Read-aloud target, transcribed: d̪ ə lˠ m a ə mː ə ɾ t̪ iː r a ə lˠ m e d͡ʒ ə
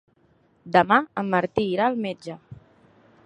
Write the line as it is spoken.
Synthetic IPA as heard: d̪ ə m a ə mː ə ɾ t̪ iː ɾ a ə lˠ m e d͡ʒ ə

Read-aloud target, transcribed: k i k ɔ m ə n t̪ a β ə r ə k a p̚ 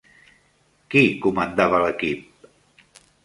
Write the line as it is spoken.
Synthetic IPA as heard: k i k u m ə n d̪ a β ə l ə k i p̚

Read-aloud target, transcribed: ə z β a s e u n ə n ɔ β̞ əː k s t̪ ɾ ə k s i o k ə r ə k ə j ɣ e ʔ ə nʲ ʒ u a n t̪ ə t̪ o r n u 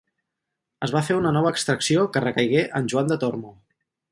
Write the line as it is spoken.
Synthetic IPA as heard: ə z β a f e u n ə n ɔ β̞ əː k s t̪ ɾ ə k s i o k ə r ə k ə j ɣ e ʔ ə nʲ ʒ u a n d̪ ə t̪ o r m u

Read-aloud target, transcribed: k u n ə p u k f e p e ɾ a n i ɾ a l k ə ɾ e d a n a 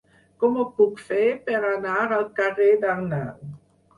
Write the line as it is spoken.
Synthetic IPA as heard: k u m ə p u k f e p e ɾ a n a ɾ a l k a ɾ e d a n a

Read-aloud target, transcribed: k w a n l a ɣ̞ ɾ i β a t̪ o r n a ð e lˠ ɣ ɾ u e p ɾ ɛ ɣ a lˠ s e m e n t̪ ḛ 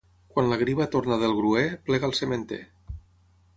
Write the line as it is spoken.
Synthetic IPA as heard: k w a n l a ɣ̞ ɾ i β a t̪ o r n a ð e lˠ ɣ ɾ u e p l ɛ ɣ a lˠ s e m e n t̪ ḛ

